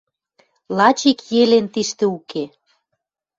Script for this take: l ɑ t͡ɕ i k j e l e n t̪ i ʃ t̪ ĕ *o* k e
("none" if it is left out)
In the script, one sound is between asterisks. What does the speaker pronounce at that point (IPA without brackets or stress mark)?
u